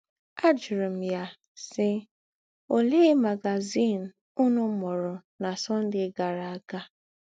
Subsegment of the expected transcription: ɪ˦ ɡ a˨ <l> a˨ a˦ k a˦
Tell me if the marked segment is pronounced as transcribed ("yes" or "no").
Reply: no